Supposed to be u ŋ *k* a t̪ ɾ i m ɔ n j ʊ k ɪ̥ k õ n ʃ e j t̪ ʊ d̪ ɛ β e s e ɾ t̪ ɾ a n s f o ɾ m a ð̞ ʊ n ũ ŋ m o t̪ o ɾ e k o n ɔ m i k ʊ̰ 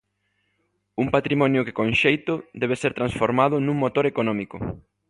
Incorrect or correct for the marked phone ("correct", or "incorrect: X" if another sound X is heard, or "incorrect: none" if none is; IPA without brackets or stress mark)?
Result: incorrect: p